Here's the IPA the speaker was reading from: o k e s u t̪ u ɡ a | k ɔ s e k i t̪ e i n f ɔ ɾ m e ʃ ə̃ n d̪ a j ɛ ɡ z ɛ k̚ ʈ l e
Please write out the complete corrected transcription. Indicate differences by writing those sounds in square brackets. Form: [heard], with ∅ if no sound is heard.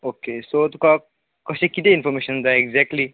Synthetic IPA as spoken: o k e s [o] t̪ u [k] a | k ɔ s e k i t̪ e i n f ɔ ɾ m e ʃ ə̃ n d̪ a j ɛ ɡ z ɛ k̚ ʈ l [i]